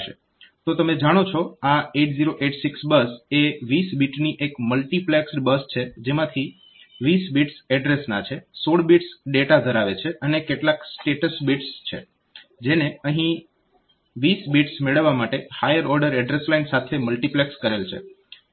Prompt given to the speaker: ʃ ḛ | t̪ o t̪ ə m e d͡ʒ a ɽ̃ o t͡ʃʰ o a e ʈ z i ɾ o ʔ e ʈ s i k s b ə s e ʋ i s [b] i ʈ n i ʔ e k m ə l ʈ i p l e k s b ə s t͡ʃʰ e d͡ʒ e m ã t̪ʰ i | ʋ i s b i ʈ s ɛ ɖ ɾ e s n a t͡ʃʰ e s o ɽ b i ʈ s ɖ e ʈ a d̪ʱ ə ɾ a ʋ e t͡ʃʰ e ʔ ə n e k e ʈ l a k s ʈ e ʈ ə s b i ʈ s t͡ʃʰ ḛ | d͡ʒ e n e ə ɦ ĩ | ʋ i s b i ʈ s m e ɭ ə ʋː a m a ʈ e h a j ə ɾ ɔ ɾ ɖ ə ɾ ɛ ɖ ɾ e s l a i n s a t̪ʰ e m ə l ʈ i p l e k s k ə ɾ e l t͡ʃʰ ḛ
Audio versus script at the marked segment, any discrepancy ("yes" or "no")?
no